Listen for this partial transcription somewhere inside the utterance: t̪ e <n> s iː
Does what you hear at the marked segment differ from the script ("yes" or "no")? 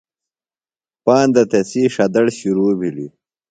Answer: yes